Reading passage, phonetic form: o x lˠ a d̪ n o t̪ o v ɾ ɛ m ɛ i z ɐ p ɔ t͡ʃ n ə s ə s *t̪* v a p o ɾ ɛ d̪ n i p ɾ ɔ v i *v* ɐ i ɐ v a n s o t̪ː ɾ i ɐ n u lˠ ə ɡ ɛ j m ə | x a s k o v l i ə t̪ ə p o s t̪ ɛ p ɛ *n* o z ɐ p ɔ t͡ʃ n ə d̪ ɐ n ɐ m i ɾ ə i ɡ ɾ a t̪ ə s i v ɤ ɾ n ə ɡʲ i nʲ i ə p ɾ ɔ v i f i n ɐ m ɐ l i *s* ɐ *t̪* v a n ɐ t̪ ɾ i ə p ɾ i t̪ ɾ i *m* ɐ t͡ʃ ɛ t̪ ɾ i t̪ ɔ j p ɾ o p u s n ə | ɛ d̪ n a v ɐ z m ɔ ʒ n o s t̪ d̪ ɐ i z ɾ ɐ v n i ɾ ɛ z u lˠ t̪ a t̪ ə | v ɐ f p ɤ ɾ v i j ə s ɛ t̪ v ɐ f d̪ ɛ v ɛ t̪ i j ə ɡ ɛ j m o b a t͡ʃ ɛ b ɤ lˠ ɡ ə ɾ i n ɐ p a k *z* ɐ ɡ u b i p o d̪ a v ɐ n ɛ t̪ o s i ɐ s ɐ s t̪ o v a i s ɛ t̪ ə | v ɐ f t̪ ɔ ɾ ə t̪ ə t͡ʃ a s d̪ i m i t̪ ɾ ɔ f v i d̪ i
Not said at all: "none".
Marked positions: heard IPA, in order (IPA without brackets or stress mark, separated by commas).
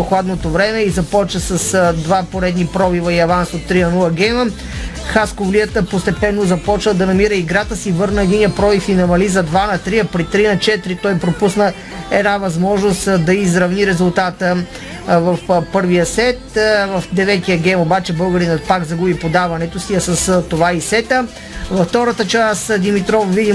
d̪, v, nː, z, d̪, n, z